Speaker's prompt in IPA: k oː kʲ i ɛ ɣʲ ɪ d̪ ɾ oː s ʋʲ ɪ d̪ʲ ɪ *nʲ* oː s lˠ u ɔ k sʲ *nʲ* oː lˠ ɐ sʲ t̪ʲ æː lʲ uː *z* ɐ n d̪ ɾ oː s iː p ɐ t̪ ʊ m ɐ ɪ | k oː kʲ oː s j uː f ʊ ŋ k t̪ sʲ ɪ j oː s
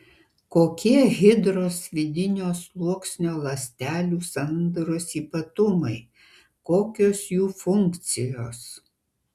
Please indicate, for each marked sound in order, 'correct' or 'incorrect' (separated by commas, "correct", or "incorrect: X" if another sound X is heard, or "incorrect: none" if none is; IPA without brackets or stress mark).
correct, correct, incorrect: s